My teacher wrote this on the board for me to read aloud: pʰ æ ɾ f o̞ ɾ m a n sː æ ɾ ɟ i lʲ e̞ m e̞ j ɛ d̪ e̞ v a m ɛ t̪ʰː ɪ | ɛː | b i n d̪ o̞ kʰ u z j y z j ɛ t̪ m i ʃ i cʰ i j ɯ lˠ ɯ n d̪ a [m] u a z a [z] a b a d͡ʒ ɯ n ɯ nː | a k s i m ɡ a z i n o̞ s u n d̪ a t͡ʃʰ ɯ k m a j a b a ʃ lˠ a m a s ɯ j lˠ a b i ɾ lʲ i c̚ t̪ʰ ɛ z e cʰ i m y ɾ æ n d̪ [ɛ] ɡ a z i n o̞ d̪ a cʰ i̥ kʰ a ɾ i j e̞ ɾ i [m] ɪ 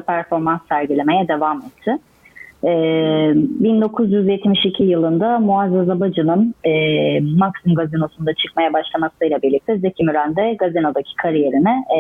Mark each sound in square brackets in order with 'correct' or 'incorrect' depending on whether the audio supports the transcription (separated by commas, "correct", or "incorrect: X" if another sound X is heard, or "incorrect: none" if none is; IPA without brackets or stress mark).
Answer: correct, correct, correct, incorrect: n